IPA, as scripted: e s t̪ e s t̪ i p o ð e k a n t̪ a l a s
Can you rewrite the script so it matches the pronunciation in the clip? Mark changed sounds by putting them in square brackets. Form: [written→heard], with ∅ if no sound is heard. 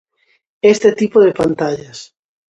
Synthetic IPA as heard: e s t̪ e [s→∅] t̪ i p o ð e [k→p] a n t̪ a [l→ʎ] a s